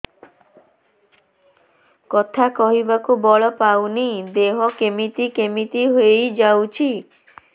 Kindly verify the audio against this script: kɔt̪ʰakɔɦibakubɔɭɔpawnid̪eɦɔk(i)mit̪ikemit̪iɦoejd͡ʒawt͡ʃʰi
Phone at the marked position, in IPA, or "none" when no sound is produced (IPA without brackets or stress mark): e